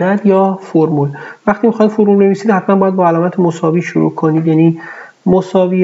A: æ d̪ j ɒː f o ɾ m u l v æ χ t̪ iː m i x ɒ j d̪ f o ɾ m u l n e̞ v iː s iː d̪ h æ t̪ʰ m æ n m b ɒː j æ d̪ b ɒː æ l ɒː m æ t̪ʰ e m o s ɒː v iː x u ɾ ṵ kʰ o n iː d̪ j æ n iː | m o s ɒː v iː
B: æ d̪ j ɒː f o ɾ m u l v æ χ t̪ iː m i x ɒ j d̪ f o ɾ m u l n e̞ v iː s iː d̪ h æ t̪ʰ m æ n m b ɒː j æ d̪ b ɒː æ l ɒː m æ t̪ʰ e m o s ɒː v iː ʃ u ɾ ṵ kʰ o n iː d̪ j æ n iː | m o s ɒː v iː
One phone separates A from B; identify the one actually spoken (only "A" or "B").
B